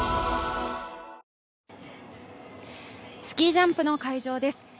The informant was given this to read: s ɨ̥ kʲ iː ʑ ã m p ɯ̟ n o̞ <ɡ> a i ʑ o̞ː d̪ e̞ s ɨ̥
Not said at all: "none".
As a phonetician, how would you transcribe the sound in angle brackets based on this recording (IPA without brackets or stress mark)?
k